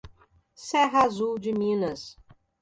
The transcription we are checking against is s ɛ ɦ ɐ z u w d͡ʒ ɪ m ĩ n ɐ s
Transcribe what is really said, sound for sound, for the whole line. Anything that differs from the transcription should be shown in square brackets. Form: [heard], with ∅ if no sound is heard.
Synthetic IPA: s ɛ ɦ [a] z u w d͡ʒ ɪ m ĩ n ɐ s